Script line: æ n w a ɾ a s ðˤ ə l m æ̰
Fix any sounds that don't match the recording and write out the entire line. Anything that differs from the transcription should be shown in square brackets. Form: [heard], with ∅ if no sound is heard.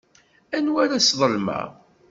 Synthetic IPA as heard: æ n w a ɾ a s ðˤ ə l m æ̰